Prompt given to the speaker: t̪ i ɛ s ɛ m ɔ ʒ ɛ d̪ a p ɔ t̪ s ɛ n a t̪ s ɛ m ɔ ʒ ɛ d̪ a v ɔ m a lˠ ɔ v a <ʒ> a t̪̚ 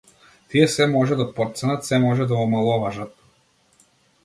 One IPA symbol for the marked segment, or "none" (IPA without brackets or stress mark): ʒ